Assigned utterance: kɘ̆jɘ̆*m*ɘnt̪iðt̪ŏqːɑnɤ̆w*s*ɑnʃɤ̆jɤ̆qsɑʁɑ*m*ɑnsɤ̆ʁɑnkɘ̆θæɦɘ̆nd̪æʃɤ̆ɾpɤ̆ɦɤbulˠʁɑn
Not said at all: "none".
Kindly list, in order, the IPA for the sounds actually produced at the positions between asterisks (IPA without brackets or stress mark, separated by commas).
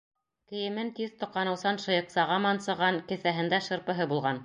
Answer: m, s, m